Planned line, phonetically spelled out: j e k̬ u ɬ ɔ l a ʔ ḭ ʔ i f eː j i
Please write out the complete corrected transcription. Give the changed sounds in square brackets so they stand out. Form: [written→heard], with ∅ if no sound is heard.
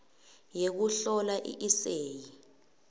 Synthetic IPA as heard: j e k̬ u ɬ ɔ l a ʔ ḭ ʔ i [f→s] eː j i